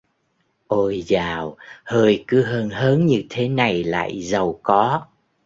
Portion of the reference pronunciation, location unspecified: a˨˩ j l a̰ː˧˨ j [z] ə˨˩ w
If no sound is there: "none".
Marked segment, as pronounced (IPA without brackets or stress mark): z